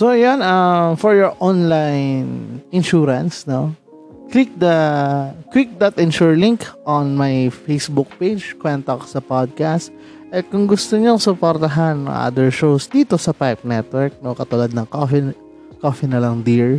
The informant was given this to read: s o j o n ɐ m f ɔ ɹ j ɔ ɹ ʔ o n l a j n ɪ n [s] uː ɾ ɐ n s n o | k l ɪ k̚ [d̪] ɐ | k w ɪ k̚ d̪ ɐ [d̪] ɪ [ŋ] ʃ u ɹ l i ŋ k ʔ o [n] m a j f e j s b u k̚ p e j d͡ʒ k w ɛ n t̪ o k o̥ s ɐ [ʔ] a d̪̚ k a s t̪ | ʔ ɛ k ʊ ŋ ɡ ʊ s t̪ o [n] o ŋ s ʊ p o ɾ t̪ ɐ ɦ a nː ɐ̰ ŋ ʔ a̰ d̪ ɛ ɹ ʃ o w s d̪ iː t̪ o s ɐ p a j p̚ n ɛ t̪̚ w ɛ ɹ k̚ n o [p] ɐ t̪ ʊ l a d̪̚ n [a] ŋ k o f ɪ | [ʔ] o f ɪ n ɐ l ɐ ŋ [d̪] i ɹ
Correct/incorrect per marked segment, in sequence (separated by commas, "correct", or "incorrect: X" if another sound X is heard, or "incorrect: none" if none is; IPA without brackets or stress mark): incorrect: ʃ, correct, incorrect: t̪, incorrect: n, correct, incorrect: p, incorrect: ɲ, incorrect: k, incorrect: ɐ, incorrect: k, correct